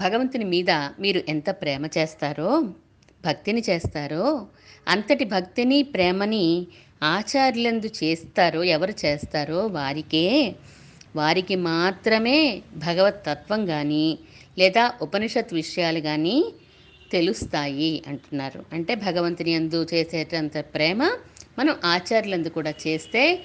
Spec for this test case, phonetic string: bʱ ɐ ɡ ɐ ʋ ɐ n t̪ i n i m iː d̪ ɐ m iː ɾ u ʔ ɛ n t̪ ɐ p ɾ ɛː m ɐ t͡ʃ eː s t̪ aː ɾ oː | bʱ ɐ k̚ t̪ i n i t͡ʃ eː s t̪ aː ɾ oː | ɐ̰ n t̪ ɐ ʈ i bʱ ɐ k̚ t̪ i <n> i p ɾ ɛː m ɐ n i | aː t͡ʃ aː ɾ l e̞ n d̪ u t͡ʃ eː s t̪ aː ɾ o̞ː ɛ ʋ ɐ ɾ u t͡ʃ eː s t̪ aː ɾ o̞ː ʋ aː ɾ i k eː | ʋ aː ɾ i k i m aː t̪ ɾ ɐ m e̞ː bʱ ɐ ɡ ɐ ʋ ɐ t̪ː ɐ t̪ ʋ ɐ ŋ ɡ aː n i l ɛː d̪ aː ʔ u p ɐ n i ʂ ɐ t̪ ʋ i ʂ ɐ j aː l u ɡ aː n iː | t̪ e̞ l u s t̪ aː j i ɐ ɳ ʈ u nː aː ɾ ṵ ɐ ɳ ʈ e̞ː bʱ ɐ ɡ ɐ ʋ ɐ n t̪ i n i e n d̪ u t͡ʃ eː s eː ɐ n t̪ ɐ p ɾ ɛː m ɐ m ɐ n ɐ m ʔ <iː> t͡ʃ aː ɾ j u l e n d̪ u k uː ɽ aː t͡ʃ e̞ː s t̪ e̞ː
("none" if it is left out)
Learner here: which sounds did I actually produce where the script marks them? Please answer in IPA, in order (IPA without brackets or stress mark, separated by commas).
n, aː